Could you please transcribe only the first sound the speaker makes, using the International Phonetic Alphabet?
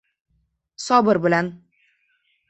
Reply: s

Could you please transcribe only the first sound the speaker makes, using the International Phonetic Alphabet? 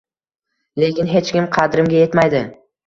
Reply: l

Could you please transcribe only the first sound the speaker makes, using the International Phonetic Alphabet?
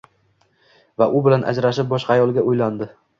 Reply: v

